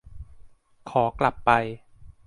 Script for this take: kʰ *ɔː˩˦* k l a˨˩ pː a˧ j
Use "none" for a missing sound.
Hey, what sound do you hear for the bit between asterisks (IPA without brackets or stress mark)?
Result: ɔː˩˦